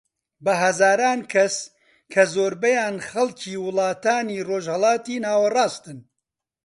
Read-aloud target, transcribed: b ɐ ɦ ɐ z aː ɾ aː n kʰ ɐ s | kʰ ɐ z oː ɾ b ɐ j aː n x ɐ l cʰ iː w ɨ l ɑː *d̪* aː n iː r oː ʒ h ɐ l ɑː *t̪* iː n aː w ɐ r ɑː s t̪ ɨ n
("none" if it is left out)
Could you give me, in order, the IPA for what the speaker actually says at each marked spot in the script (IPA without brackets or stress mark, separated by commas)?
t̪, t̪